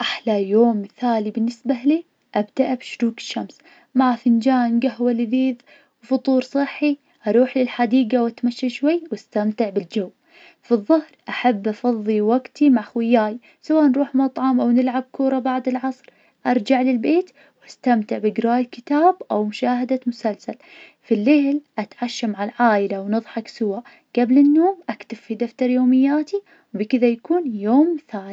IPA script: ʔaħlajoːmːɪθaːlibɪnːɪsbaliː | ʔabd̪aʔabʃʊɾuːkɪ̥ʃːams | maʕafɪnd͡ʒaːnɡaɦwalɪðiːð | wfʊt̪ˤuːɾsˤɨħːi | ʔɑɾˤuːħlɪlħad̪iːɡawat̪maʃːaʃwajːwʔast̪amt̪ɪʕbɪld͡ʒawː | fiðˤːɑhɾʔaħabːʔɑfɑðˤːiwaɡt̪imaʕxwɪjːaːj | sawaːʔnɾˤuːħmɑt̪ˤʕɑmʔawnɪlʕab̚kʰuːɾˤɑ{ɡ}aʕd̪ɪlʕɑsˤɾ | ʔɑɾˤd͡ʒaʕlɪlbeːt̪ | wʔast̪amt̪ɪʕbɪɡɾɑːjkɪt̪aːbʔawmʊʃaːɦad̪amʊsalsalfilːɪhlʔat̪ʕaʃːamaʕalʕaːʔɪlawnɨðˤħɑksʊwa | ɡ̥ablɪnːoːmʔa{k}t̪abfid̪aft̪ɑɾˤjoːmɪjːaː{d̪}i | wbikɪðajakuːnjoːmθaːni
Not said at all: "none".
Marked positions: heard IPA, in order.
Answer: b, k, t̪

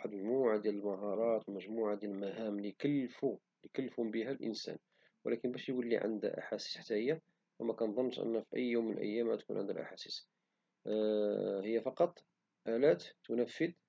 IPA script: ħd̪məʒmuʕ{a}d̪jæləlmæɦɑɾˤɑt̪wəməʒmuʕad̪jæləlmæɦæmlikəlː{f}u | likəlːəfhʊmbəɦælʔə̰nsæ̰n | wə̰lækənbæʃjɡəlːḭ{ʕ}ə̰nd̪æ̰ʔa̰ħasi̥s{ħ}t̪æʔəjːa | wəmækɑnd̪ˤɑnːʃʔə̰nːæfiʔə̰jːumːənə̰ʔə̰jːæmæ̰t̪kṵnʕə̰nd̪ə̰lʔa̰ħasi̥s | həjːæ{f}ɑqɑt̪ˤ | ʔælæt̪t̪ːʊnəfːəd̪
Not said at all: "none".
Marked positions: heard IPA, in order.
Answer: a, f, ʕ, ħ, f

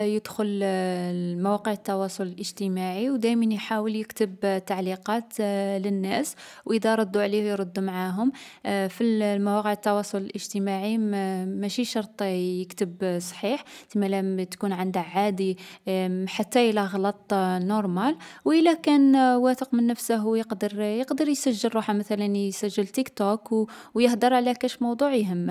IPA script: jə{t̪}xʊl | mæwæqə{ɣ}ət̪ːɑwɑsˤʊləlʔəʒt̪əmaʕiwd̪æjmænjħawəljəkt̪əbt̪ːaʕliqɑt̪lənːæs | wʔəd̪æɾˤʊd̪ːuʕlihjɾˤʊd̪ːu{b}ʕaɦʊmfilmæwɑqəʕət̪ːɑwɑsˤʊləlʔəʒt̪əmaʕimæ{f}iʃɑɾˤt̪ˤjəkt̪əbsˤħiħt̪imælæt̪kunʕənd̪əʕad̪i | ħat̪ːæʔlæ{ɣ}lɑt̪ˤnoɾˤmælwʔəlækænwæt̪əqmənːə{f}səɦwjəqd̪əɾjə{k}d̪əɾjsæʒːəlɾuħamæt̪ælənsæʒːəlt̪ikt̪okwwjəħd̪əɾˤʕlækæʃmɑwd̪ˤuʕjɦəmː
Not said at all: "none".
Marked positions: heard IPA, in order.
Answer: d̪, ʕ, m, ʃ, ɣ, f, q

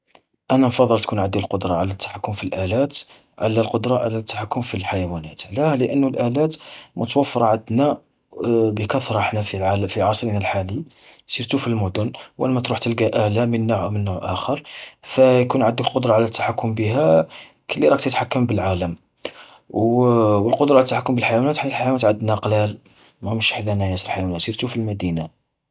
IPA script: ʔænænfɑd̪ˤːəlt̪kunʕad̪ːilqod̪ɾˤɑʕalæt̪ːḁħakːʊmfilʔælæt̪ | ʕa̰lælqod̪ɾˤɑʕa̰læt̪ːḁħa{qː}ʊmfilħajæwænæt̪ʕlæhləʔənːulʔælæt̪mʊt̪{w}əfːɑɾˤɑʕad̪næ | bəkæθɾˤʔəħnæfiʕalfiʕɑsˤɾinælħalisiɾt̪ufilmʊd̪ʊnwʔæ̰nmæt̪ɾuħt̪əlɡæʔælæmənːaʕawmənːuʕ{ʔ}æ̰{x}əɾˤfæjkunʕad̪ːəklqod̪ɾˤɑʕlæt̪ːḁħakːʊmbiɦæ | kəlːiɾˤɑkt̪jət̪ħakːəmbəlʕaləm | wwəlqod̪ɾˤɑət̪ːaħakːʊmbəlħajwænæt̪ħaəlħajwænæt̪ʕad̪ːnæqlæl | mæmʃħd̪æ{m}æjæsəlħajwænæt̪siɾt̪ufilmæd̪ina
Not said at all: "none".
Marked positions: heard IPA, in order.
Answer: kː, w, ʔ, x, n

